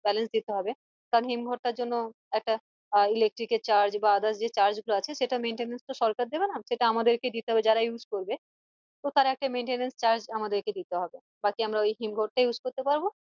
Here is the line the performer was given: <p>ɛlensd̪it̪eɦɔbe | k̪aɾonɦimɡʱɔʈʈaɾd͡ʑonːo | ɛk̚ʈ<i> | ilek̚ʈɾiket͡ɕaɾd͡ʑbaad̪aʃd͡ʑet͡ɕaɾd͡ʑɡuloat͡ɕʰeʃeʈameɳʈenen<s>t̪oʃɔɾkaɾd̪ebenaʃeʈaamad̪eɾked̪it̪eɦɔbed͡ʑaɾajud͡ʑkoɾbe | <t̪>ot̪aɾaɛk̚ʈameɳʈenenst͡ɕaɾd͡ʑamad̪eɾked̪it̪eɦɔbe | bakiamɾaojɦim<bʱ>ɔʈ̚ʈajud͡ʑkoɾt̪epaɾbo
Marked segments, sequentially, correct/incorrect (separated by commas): incorrect, incorrect, correct, correct, incorrect